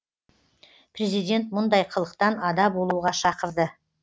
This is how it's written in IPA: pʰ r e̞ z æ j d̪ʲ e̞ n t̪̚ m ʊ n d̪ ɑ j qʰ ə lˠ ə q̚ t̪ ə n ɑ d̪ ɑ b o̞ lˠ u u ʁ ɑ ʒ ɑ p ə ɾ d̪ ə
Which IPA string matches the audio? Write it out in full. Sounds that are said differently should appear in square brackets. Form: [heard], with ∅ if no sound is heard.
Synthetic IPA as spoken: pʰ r e̞ z [i] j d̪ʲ e̞ n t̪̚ m ʊ n d̪ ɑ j qʰ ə lˠ ə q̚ t̪ [ɑ] n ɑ d̪ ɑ b o̞ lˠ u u ʁ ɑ [ʃ] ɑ [q] ə ɾ d̪ ə